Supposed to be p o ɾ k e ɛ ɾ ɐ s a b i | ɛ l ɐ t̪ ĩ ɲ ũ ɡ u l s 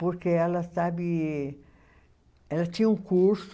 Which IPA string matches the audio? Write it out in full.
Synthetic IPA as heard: p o ɾ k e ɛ l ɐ s a b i | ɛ l ɐ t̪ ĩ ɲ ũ k u ɾ s

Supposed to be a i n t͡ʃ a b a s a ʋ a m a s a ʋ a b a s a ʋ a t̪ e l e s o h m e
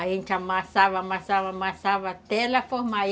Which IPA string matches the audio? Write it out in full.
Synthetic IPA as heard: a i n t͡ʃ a m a s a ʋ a m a s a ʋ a m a s a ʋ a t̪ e l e f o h m a

